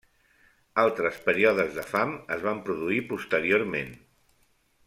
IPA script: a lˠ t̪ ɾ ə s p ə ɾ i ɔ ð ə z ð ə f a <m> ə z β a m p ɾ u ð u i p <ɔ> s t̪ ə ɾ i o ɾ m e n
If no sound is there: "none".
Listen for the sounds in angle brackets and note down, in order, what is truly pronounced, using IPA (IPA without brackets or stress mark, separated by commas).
m, u